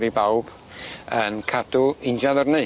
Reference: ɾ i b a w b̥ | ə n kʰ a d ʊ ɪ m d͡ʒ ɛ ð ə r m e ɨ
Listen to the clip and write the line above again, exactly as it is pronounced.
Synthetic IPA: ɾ i b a w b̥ | ə n kʰ a d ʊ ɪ n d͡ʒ a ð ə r n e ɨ

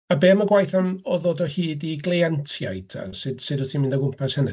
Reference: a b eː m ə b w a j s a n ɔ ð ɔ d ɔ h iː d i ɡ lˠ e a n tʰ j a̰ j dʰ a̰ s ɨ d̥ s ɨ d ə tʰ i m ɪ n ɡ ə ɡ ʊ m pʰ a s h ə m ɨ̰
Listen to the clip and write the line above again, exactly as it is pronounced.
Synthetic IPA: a b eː m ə ɡ w a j θ a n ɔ ð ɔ d ɔ h iː d i ɡ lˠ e a n tʰ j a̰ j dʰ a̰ s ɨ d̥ s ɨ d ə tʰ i m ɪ n d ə ɡ ʊ m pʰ a s h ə n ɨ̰

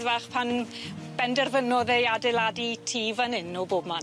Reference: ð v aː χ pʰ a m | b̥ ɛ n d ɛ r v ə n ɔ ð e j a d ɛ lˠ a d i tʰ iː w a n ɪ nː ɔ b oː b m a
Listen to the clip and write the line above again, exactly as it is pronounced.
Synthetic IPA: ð v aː χ pʰ a n | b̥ ɛ n d ɛ r v ə n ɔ ð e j a d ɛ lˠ a d i tʰ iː v a n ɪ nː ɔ b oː b m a

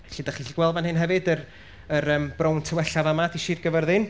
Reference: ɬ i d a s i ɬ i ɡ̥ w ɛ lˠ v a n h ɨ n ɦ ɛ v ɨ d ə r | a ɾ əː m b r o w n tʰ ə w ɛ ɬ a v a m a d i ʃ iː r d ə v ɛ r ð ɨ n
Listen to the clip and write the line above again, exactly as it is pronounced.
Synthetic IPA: ɬ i d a χ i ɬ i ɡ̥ w ɛ lˠ v a n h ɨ n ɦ ɛ v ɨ d ə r | ə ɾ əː m b r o w n tʰ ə w ɛ ɬ a v a m a d i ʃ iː r ɡ ə v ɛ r ð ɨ n

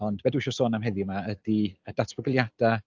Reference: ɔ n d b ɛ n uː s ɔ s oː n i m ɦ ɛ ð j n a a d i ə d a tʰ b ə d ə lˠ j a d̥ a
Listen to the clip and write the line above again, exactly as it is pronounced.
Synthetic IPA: ɔ n d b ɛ d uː ʃ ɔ s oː n a m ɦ ɛ ð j m a ə d i ə d a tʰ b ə ɡ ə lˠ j a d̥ a

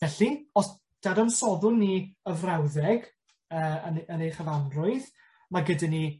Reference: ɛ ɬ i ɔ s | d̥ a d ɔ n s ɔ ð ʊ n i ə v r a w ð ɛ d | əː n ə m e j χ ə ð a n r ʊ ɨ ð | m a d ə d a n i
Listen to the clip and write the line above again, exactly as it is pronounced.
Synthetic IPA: ɛ ɬ i ɔ s | d̥ a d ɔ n s ɔ ð ʊ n i ə v r a w ð ɛ ɡ | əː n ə n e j χ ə v a n r ʊ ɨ ð | m a ɡ ə d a n i

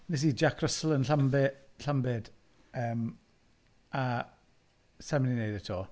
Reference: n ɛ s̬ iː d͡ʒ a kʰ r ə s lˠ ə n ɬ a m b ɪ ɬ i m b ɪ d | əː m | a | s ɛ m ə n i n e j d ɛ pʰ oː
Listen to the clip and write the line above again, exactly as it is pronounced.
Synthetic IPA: n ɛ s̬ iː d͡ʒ a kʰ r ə s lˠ ə n ɬ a m b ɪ ɬ a m b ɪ d | əː m | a | s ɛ m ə n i n e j d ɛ tʰ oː

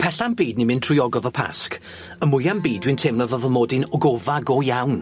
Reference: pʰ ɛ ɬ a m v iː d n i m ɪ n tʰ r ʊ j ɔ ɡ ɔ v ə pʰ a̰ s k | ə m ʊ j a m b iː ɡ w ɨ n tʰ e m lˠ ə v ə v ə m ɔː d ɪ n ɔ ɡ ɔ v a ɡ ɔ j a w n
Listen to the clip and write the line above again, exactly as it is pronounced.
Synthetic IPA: pʰ ɛ ɬ a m b iː d n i m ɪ n tʰ r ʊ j ɔ ɡ ɔ v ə pʰ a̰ s k | ə m ʊ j a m b iː d w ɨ n tʰ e m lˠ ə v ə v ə m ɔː d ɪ n ɔ ɡ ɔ v a ɡ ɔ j a w n

